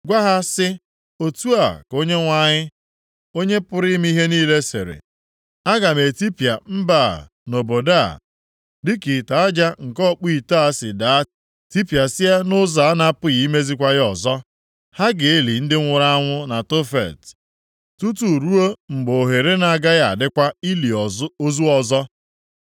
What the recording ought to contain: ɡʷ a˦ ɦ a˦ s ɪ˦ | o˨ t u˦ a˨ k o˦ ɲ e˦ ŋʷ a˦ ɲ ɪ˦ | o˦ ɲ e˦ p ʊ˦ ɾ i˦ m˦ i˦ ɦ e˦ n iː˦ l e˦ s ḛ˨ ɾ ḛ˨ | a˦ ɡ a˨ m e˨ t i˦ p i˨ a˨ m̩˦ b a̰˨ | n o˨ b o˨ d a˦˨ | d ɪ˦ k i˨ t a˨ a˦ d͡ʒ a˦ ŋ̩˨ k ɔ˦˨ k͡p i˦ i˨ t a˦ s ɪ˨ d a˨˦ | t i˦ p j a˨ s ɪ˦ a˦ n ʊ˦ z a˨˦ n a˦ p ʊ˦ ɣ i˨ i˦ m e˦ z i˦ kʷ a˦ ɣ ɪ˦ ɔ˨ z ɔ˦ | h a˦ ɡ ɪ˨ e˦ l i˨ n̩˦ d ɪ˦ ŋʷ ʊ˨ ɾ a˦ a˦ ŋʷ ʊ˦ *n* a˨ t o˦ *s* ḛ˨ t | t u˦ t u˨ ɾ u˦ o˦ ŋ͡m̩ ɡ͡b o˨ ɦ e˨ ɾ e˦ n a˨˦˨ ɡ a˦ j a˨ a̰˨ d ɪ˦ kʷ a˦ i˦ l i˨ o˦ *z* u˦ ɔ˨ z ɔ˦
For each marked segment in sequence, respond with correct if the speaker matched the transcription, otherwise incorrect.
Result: correct, incorrect, correct

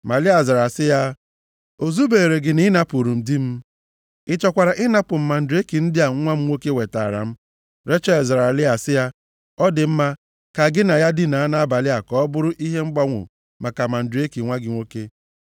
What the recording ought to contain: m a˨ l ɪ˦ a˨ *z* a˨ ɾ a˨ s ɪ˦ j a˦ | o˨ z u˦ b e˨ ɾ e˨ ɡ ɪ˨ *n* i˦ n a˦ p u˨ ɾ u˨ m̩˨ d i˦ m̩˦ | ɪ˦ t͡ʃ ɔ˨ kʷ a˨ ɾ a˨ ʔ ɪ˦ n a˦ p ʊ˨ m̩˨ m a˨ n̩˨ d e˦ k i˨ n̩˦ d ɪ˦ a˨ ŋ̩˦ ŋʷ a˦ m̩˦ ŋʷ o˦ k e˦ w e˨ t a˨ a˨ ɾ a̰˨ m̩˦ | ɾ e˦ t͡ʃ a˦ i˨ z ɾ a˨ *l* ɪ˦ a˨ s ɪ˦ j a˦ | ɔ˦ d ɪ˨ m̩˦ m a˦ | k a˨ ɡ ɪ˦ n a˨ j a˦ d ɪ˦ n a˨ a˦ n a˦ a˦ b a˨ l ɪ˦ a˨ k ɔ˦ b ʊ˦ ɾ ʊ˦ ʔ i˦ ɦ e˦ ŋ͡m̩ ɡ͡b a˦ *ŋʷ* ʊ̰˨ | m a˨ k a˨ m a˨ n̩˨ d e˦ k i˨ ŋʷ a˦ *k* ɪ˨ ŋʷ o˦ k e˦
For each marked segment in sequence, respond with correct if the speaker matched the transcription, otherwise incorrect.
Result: correct, correct, correct, correct, incorrect

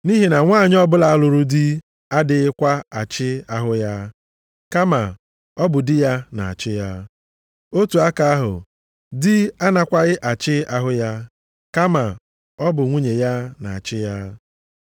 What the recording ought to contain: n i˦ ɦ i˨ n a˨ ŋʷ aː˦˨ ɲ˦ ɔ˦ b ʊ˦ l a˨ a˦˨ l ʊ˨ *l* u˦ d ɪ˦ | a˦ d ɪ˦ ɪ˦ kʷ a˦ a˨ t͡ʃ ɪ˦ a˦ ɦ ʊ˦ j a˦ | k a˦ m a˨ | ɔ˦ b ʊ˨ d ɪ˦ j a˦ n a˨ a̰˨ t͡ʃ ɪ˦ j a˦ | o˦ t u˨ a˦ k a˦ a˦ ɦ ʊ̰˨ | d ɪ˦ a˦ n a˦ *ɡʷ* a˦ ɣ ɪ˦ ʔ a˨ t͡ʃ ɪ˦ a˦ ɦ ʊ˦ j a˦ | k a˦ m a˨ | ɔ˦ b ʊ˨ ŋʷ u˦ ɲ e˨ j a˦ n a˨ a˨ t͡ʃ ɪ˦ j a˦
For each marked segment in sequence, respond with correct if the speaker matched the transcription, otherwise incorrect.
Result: incorrect, incorrect

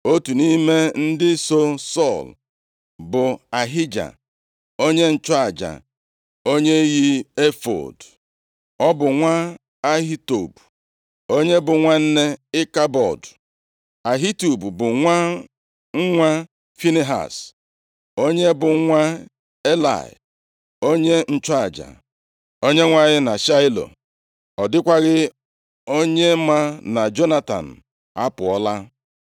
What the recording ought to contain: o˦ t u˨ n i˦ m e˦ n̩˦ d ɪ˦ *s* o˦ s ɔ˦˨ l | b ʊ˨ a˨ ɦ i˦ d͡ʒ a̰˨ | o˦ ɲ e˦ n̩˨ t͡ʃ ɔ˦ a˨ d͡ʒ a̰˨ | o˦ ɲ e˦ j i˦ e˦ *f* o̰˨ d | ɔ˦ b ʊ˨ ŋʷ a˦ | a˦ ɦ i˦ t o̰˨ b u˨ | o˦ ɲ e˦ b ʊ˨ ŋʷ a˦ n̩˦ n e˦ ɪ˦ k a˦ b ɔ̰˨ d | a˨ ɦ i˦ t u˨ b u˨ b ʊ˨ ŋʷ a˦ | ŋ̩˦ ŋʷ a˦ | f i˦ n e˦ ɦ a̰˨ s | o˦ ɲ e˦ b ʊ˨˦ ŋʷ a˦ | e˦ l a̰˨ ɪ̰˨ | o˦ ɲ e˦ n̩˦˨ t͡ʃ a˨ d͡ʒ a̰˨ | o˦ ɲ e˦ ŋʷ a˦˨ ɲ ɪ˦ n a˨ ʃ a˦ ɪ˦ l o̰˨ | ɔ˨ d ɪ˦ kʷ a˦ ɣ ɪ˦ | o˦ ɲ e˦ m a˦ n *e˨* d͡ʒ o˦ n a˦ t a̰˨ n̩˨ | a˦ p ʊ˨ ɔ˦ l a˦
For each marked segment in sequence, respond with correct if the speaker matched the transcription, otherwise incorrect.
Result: correct, correct, incorrect

